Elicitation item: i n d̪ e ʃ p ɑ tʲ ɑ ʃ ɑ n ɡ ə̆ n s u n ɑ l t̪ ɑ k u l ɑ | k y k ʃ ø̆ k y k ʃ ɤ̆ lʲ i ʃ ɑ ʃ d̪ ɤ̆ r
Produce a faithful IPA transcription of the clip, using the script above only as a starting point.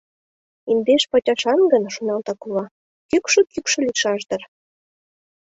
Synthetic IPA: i n d̪ e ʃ p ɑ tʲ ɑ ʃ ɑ n ɡ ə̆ n ʃ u n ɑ l t̪ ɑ k u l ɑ | k y k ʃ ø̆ k y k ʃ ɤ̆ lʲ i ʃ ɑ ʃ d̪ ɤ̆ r